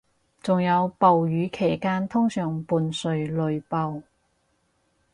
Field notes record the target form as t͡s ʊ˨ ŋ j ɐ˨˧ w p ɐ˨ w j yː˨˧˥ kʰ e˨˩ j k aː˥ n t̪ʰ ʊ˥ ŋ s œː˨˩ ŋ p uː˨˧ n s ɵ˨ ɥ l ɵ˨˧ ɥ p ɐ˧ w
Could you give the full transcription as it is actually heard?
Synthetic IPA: t͡s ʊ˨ ŋ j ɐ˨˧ w p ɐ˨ w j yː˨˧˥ kʰ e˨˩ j k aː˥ n t̪ʰ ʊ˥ ŋ s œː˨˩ ŋ p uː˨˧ n s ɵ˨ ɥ l ɵ˨˧ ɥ p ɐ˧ w